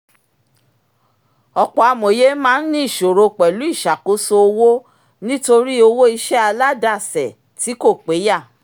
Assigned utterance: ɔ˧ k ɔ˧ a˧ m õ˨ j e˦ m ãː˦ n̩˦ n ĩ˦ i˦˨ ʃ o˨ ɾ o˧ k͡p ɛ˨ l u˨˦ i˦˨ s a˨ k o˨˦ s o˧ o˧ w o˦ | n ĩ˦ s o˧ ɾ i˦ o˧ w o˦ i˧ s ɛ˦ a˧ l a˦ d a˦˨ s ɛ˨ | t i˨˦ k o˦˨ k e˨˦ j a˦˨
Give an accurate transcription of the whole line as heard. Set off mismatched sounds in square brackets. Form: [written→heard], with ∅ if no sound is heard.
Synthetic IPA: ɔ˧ [k→k͡p] ɔ˧ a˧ m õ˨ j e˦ m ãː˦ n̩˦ n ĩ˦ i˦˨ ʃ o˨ ɾ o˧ k͡p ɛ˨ l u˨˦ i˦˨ [s→ʃ] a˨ k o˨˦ s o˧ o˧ w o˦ | n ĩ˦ [s→t] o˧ ɾ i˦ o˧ w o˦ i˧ [s→ʃ] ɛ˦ a˧ l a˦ d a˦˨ s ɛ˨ | t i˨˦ k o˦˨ [k→k͡p] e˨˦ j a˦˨